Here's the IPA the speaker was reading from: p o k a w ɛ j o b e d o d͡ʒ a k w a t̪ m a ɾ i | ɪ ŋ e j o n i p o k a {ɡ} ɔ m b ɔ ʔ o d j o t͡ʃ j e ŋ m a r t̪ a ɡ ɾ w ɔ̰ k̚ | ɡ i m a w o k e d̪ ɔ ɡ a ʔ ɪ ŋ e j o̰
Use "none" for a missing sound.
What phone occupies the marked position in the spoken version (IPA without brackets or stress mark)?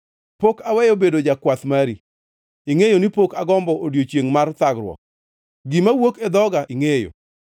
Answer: ɡ